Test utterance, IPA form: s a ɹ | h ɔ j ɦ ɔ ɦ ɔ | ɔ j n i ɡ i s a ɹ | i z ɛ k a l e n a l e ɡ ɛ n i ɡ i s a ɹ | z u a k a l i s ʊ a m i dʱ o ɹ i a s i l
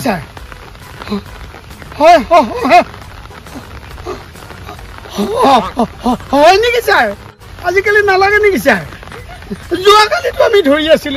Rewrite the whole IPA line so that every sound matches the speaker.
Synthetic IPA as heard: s a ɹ | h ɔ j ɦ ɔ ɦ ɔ | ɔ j n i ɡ i s a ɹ | a z i k a l i n a l a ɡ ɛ n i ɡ i s a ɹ | z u a k a l i t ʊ a m i dʱ o ɹ i a s i l